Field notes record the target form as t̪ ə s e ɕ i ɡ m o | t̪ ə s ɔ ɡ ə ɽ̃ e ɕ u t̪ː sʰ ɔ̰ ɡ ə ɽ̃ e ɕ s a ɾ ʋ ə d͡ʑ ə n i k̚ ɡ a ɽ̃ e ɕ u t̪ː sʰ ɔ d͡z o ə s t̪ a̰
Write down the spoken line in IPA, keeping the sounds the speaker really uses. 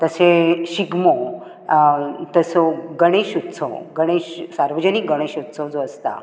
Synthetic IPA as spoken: t̪ ə s e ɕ i ɡ m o | t̪ ə s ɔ ɡ ə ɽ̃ e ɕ u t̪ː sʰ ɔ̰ ɡ ə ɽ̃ e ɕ s a ɾ ʋ ə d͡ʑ ə n i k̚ ɡ ə ɽ̃ e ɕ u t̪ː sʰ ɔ d͡z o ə s t̪ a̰